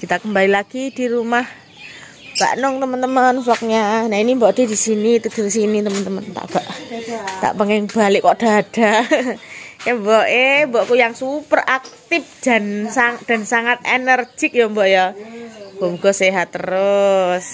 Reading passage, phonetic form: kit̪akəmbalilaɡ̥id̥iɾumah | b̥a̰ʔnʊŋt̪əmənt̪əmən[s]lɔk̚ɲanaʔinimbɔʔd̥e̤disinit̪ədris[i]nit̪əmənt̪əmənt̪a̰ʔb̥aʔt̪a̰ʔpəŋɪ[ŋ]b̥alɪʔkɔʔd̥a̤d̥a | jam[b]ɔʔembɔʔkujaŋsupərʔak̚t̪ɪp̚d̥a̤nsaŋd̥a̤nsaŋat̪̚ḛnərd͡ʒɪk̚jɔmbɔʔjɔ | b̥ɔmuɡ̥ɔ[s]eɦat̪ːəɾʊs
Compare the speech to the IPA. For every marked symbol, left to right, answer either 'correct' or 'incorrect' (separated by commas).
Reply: incorrect, correct, correct, correct, correct